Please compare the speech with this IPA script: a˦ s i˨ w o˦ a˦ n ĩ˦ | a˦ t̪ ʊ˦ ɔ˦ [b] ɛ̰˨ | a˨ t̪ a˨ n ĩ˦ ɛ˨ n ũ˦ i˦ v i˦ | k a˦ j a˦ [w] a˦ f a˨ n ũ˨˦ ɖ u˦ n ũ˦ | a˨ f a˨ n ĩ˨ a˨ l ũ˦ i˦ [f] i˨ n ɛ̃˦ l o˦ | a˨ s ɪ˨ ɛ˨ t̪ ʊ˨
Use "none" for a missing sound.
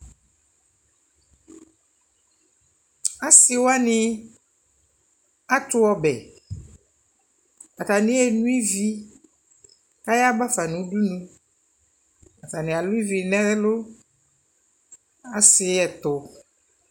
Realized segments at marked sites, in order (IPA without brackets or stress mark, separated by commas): b, b, v